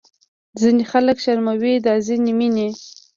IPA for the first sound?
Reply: z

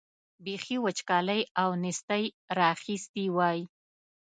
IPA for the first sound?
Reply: b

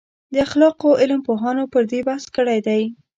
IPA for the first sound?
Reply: d̪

